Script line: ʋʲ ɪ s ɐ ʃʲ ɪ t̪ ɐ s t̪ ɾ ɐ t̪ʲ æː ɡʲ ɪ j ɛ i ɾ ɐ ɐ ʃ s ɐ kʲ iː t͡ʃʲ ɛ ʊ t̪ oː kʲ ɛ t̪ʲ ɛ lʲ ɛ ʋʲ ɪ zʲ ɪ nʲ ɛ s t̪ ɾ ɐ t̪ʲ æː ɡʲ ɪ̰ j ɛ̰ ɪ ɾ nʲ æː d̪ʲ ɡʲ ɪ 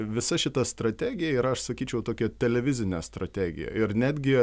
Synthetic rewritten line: ʋʲ ɪ s ɐ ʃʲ ɪ t̪ ɐ s t̪ ɾ ɐ t̪ʲ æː ɡʲ ɪ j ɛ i ɾ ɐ ɐ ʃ s ɐ kʲ iː t͡ʃʲ ɛ ʊ t̪ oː kʲ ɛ t̪ʲ ɛ lʲ ɛ ʋʲ ɪ zʲ ɪ nʲ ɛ s t̪ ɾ ɐ t̪ʲ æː ɡʲ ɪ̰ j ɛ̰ ɪ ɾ nʲ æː d̪ʲ ɡʲ ɪ